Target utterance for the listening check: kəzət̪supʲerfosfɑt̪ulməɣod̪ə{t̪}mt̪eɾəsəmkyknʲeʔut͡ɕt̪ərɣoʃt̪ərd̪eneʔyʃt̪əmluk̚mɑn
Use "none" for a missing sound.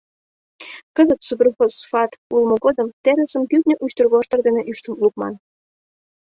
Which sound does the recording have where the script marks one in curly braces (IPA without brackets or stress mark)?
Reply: none